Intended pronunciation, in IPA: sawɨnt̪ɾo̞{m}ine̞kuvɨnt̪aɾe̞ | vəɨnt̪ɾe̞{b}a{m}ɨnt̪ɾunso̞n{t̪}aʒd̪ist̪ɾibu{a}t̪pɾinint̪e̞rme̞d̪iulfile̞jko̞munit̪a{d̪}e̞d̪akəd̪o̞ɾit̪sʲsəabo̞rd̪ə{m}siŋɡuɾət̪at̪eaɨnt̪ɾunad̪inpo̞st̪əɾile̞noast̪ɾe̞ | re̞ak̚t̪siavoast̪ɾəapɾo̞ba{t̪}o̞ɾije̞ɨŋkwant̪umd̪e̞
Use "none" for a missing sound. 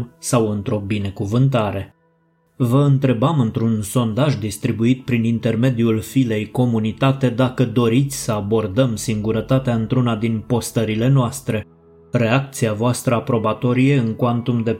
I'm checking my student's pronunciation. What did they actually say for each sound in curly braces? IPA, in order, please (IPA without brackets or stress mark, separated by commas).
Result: b, b, m, d̪, i, t̪, m, t̪